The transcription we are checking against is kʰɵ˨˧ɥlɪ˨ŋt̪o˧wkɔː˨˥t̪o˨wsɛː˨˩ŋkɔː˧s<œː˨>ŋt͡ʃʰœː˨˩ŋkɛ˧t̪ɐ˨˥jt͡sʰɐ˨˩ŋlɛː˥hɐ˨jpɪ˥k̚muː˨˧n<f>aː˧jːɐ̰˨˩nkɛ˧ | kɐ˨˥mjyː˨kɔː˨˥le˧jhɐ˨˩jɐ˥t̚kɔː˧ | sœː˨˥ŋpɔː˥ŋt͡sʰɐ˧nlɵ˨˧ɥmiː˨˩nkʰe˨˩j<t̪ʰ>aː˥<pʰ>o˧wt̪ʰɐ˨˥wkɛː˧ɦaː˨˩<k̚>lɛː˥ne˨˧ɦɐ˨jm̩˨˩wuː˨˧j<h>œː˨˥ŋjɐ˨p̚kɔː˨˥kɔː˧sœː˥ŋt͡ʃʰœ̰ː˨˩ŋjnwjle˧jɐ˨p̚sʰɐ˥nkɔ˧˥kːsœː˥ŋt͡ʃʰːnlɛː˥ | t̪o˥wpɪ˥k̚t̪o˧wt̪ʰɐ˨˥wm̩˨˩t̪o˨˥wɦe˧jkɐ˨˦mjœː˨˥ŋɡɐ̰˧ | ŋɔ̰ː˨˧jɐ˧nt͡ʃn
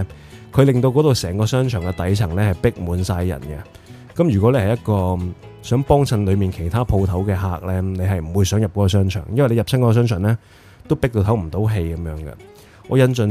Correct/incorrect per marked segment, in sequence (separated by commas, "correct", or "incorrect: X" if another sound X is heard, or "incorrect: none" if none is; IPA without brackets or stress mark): incorrect: œː˥, incorrect: s, correct, correct, correct, incorrect: s